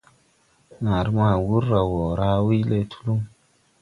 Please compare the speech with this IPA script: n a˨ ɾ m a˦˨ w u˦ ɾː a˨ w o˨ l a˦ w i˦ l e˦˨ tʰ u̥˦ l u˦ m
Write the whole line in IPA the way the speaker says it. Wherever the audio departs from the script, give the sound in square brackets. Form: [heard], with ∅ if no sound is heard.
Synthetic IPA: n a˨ ɾ m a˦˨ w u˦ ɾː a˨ w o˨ [ɾ] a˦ w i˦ l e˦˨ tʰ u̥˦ l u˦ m